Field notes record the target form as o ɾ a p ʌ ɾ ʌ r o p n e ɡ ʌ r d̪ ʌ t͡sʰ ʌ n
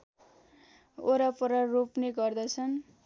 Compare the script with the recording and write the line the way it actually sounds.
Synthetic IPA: o ɾ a p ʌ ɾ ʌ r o p n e ɡ ʌ r d̪ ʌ t͡sʰ ʌ n